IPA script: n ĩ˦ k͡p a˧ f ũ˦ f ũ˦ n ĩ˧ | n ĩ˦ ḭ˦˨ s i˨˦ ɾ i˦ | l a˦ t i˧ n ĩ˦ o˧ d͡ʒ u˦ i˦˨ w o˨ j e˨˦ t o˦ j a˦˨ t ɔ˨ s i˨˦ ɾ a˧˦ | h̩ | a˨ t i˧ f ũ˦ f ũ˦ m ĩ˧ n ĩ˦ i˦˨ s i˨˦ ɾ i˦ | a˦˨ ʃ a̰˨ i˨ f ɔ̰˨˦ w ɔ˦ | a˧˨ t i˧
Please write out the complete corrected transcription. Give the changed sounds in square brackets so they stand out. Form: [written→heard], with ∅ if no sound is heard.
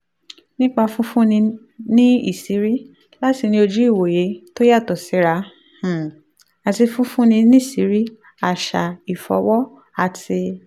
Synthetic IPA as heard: n ĩ˦ k͡p a˧ f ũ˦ f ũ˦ n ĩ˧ | n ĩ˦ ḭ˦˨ s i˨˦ ɾ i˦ | l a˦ t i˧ n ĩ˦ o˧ d͡ʒ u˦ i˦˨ w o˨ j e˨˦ t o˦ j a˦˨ t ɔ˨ s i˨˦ ɾ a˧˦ | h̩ | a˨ t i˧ f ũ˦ f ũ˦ [m→n] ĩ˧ n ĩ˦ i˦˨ s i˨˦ ɾ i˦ | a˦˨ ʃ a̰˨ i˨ f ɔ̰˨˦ w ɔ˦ | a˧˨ t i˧

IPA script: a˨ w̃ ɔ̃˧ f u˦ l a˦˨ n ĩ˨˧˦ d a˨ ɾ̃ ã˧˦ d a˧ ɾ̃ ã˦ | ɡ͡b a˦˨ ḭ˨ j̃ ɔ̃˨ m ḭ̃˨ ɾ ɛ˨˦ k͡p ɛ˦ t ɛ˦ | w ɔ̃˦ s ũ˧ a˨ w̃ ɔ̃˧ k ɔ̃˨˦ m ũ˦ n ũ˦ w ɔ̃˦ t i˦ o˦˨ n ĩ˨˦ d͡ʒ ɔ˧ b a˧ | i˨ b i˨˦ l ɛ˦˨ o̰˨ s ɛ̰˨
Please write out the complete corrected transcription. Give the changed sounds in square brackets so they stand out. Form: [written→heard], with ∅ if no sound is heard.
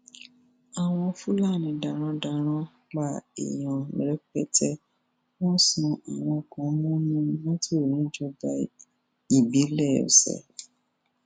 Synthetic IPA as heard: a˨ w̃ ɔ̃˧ f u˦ l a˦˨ n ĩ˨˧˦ d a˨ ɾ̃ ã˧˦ d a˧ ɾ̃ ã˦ | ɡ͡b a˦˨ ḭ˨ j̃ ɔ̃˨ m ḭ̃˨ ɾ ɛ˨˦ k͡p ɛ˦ t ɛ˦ | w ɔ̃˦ s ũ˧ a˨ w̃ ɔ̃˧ k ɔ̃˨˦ m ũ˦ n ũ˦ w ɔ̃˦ t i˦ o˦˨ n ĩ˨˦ d͡ʒ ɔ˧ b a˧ | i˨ b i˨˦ l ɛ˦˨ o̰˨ s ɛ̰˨

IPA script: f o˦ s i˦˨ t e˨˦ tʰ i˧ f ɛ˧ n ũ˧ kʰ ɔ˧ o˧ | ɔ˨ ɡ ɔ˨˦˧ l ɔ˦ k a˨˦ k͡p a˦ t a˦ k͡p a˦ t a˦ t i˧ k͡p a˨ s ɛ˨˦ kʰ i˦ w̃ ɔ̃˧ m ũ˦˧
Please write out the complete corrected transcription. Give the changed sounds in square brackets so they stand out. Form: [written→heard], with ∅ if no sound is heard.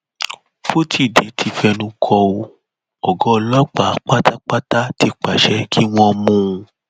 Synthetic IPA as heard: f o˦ [s→t] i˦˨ [t→d] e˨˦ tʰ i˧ f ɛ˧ n ũ˧ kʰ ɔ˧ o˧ | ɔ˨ ɡ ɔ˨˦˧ l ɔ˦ [k→k͡p] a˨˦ k͡p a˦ t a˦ k͡p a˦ t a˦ t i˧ k͡p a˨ [s→ʃ] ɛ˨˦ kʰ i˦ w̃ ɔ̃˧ m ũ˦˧

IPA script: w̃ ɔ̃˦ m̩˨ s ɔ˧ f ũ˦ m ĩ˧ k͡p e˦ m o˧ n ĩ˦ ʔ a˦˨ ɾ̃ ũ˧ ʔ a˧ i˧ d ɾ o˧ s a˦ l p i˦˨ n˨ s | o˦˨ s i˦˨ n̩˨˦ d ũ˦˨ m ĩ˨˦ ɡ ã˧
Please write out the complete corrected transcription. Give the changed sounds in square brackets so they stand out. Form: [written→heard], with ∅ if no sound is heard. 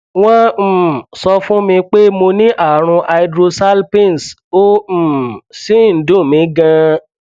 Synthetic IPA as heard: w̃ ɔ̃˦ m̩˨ s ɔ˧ f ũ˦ m ĩ˧ k͡p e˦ m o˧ n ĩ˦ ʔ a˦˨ ɾ̃ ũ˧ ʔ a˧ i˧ d ɾ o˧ s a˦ l p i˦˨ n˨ s | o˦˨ s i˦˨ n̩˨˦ d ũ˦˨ m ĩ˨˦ ɡ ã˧

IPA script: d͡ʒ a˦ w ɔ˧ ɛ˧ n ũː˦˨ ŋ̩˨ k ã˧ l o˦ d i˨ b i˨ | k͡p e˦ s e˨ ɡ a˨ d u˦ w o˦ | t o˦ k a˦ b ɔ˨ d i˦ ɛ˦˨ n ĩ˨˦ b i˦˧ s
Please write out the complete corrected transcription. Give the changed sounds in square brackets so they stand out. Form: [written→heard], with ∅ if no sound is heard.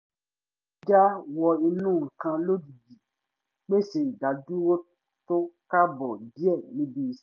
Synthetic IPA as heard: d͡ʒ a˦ w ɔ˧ [ɛ˧→i˧] n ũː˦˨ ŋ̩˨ k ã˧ l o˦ d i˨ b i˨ | k͡p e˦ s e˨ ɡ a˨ d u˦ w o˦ | t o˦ k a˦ b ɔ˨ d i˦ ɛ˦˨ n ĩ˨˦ b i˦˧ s

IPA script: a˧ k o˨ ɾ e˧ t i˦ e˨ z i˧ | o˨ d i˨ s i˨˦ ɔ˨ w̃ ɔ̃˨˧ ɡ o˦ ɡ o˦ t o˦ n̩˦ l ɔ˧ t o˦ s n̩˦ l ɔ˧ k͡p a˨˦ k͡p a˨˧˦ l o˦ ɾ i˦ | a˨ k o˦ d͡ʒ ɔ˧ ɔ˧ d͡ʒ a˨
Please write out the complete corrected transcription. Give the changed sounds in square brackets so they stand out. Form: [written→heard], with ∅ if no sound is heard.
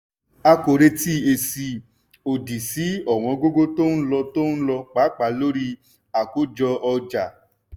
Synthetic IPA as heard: a˧ k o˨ ɾ e˧ t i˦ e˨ [z→s] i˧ | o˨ d i˨ s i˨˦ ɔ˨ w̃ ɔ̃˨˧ ɡ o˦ ɡ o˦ t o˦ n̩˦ l ɔ˧ t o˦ [s→∅] n̩˦ l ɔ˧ k͡p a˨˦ k͡p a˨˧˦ l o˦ ɾ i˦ | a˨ k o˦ d͡ʒ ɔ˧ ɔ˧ d͡ʒ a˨

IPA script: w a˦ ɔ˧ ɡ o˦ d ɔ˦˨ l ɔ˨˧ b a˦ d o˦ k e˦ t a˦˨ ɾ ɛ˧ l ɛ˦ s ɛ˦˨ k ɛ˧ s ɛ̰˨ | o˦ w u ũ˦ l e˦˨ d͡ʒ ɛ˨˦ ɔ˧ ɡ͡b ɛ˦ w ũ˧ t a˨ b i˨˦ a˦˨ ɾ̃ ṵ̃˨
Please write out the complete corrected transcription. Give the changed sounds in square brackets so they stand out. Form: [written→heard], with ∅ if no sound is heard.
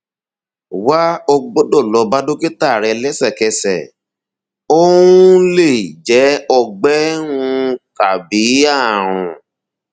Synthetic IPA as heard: w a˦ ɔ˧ [ɡ→ɡ͡b] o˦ d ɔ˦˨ l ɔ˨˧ b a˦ d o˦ k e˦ t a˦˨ ɾ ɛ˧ l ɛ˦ s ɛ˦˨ k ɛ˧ s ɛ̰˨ | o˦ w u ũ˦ l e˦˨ d͡ʒ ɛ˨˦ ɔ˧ ɡ͡b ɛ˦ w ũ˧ [t→k] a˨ b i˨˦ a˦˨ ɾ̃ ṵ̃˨

